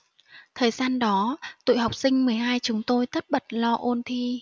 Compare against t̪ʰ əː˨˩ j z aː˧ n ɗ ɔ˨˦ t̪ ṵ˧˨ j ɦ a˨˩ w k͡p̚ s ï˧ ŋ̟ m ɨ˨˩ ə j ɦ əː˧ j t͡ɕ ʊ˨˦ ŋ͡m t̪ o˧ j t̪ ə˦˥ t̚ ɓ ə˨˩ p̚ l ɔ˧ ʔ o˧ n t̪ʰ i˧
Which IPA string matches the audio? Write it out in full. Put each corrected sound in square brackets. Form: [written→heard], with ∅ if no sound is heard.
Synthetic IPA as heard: t̪ʰ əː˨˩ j z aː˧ n ɗ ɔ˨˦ t̪ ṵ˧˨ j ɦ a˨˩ w k͡p̚ s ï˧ ŋ̟ m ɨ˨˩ ə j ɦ [əː˧→aː˧] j t͡ɕ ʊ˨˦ ŋ͡m t̪ o˧ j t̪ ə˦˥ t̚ ɓ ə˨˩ [p̚→t̚] l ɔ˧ ʔ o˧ n t̪ʰ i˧